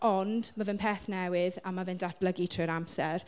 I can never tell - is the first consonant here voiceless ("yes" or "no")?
no